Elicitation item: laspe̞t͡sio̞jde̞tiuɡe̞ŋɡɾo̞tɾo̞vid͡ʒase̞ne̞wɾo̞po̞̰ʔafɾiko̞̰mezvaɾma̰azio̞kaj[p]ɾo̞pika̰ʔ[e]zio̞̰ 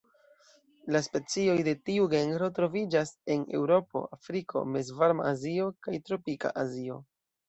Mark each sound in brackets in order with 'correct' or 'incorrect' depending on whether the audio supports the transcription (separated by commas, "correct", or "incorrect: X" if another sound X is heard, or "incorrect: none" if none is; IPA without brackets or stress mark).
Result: incorrect: t, incorrect: a